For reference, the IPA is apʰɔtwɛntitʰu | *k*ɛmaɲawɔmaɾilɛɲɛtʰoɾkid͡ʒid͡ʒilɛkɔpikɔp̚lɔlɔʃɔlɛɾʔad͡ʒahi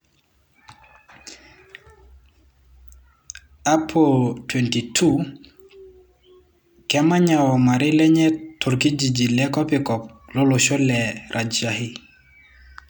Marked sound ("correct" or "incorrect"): correct